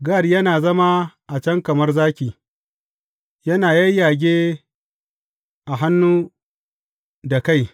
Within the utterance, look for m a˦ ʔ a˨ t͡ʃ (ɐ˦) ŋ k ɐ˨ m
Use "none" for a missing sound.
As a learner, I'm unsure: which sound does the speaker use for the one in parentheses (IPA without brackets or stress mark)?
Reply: ɐ˦